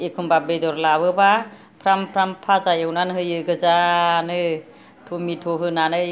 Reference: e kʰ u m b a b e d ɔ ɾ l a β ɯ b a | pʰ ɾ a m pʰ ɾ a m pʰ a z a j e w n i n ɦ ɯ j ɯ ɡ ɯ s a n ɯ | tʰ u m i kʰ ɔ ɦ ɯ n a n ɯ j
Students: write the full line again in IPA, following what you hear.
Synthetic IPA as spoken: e kʰ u m b a b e d ɔ ɾ l a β ɯ b a | pʰ ɾ a m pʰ ɾ a m pʰ a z a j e w n a n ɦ ɯ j ɯ ɡ ɯ z a n ɯ | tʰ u m i tʰ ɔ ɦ ɯ n a n ɯ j